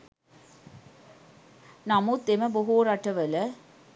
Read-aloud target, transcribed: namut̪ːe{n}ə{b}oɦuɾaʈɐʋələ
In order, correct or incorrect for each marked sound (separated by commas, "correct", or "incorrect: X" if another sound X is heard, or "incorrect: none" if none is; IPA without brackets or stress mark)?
incorrect: m, correct